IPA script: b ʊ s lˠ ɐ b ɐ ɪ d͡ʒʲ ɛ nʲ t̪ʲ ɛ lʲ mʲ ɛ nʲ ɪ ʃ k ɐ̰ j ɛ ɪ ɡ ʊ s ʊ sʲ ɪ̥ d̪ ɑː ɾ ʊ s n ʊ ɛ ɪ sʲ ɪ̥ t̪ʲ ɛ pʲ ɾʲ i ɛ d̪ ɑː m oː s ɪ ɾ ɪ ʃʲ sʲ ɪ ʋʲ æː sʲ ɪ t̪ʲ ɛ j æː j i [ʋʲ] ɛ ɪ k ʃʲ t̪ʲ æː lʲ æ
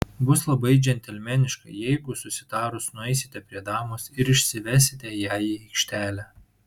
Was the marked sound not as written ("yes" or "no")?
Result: yes